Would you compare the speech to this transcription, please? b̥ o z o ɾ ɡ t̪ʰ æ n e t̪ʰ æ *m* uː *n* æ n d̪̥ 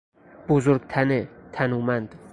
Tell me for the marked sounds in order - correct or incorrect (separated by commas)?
incorrect, incorrect